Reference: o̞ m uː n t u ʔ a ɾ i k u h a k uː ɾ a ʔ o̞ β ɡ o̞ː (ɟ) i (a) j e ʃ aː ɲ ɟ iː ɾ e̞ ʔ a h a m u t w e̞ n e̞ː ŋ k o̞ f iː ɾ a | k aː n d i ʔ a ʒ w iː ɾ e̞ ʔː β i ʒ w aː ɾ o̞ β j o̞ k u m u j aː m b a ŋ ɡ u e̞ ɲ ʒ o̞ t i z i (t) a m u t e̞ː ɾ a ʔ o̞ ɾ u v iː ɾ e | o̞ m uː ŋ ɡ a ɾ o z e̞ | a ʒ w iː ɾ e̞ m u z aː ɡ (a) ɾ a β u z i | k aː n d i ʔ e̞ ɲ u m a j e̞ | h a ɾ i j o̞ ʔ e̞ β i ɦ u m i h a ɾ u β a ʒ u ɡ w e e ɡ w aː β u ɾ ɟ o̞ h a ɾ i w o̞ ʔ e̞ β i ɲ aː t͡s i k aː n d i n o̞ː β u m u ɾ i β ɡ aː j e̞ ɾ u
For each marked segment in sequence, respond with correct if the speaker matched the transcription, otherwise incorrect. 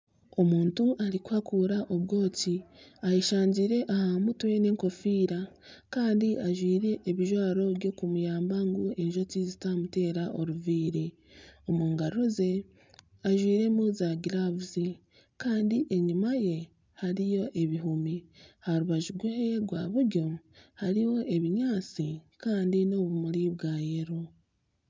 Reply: incorrect: c, correct, correct, incorrect: i

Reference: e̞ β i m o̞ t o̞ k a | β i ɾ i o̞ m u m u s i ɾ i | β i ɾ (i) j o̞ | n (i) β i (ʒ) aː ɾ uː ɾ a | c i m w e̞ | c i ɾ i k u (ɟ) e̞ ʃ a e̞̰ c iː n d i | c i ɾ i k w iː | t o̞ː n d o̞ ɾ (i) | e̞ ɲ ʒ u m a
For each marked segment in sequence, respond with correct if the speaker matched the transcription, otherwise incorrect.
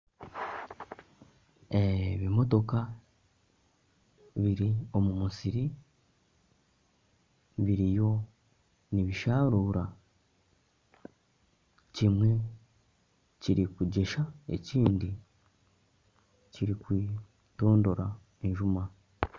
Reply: correct, correct, incorrect: ʃ, correct, incorrect: a

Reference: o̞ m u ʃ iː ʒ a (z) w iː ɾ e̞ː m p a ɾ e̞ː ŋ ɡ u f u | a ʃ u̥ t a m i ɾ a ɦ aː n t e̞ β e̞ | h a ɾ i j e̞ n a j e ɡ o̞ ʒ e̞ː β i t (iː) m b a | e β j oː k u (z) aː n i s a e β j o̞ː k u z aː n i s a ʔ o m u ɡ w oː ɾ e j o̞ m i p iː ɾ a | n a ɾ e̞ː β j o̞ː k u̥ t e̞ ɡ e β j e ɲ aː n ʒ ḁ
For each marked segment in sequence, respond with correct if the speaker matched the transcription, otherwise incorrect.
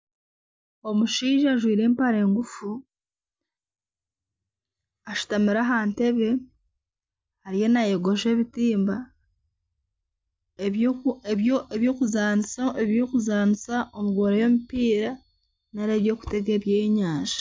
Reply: incorrect: ʒ, correct, correct

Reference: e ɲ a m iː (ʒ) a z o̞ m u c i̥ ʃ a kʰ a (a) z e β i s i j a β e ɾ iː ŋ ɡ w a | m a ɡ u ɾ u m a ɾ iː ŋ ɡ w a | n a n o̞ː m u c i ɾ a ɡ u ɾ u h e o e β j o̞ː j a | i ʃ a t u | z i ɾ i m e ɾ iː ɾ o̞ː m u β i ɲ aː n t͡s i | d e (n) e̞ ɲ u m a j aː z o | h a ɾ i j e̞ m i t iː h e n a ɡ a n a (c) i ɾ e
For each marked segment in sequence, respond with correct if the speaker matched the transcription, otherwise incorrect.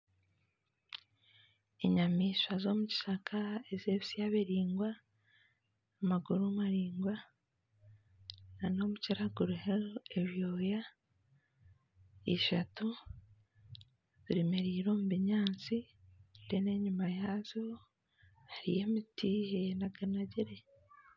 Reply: incorrect: ʃ, incorrect: e, correct, incorrect: ɟ

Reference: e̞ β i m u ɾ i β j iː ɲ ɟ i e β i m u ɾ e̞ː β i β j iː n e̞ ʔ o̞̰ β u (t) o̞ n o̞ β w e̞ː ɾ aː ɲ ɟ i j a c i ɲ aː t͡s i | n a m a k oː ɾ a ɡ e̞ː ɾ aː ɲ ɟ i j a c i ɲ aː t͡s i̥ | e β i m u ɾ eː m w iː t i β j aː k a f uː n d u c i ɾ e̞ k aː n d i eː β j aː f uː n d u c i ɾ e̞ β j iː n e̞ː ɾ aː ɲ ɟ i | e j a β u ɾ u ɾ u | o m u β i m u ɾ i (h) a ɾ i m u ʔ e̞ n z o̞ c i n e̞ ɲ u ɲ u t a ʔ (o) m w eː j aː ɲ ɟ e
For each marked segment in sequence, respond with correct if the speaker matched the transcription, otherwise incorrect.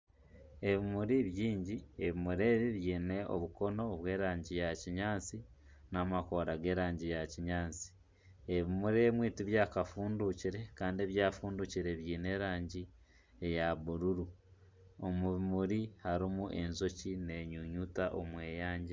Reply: incorrect: k, correct, correct

